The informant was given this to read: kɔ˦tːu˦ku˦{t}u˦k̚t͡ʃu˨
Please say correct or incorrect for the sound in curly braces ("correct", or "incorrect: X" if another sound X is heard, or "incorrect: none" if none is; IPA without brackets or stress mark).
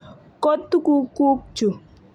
incorrect: k